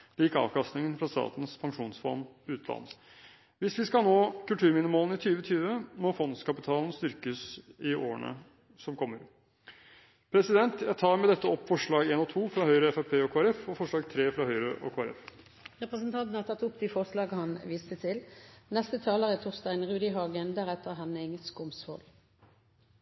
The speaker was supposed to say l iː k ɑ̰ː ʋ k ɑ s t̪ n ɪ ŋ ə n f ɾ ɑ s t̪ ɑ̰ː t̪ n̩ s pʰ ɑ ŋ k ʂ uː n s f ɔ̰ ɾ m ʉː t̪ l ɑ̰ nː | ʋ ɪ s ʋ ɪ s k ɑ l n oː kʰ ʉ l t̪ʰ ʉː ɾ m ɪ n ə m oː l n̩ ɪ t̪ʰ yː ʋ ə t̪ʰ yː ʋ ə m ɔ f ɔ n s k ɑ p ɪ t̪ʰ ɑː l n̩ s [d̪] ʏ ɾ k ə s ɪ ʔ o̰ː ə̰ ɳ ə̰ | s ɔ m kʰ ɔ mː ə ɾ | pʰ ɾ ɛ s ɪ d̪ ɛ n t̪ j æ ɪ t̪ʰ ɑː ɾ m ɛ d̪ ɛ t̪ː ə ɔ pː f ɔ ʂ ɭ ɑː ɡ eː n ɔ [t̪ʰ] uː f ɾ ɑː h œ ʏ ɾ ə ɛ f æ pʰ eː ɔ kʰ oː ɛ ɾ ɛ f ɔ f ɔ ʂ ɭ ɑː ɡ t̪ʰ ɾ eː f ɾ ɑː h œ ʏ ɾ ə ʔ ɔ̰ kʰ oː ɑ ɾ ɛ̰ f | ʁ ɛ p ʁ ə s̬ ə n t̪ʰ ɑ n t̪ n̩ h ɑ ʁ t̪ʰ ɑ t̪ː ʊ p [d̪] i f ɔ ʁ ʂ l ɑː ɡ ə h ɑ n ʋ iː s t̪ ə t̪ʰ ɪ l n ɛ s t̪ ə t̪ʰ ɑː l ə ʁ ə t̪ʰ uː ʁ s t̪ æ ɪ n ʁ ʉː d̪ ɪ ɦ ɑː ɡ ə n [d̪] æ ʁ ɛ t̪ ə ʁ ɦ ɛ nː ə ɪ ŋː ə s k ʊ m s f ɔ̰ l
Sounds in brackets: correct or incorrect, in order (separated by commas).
incorrect, correct, correct, correct